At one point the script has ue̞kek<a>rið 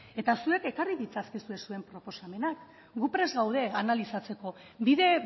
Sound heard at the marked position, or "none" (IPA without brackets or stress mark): a